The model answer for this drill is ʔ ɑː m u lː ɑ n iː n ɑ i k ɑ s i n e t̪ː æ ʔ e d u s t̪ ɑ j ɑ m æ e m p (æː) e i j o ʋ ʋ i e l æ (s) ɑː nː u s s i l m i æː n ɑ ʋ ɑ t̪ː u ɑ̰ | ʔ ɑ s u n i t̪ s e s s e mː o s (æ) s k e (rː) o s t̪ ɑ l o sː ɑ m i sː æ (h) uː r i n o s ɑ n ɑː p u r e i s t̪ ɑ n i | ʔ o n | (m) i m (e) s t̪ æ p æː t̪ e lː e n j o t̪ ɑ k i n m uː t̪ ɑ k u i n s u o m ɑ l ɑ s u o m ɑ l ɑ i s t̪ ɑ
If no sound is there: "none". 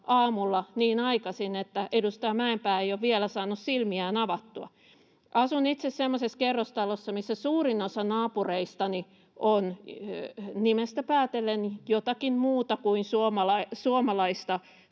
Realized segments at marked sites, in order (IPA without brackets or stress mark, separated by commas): æː, s, e, rː, s, n, e